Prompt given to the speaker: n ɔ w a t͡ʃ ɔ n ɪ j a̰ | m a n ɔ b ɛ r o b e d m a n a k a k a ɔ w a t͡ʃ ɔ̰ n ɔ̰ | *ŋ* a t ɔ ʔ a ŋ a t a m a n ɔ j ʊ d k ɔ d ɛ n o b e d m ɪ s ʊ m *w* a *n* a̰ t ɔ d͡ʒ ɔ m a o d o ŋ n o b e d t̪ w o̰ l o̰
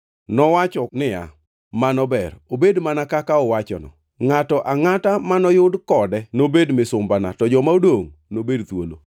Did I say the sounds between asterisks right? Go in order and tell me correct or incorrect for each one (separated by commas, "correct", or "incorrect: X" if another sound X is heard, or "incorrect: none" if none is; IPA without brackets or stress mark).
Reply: correct, incorrect: b, correct